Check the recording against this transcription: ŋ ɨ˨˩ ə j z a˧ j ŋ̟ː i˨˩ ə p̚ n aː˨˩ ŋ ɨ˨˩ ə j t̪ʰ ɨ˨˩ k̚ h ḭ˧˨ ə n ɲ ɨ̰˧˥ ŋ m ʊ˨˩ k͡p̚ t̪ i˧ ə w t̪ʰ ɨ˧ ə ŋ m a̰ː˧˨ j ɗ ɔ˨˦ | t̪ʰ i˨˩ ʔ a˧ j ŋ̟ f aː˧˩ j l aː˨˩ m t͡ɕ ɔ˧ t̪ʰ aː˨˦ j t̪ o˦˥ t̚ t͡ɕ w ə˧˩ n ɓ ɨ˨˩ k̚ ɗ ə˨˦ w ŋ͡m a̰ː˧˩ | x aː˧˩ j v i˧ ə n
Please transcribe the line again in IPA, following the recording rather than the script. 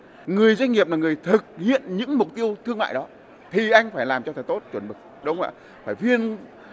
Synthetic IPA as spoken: ŋ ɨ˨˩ ə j z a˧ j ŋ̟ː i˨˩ ə p̚ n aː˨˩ ŋ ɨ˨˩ ə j t̪ʰ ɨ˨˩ k̚ h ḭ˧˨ ə n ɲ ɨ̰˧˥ ŋ m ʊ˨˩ k͡p̚ t̪ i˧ ə w t̪ʰ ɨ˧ ə ŋ m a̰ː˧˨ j ɗ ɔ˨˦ | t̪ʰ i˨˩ ʔ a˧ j ŋ̟ f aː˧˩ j l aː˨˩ m t͡ɕ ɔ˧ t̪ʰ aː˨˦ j t̪ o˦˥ t̚ t͡ɕ w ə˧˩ n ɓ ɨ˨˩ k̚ ɗ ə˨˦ w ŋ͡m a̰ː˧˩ | f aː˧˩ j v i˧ ə n